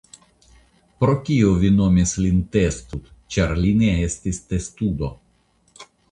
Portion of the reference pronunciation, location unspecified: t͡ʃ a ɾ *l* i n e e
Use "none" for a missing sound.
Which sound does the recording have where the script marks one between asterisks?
l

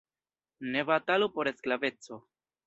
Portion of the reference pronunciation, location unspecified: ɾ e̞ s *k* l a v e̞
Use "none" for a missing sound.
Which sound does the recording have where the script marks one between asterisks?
k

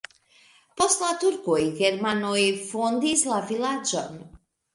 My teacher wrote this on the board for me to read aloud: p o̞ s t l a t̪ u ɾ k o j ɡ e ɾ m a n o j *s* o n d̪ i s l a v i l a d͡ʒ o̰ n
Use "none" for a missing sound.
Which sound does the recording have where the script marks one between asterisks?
f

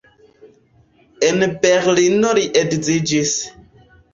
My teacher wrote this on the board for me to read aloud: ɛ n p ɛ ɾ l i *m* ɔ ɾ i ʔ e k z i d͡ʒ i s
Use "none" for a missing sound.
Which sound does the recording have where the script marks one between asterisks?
n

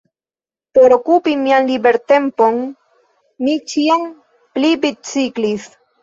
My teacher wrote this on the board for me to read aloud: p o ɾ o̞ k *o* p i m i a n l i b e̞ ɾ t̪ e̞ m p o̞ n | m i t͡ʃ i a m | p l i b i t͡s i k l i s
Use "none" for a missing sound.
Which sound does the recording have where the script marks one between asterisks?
u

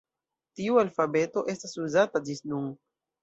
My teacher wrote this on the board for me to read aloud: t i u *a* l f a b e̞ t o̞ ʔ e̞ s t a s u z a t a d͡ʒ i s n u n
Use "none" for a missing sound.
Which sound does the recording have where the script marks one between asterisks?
a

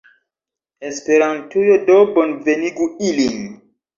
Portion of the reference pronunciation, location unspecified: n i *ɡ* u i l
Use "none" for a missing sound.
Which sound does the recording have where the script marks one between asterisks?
ɡ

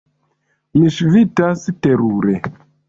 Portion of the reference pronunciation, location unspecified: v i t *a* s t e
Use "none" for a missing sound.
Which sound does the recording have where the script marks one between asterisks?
a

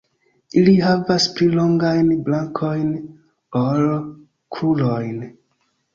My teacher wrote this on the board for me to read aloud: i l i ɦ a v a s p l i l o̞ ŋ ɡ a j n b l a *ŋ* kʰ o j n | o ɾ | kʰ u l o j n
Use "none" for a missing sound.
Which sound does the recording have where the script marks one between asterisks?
ŋ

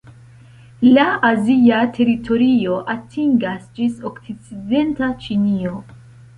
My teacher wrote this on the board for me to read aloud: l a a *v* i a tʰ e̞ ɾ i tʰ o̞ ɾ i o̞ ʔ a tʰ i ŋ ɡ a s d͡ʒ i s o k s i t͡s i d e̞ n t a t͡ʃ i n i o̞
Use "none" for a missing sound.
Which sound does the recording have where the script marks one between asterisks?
z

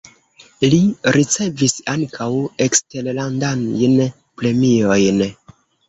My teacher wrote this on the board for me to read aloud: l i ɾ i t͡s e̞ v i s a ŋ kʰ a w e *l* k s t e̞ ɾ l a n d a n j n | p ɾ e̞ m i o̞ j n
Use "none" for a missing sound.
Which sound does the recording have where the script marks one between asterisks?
none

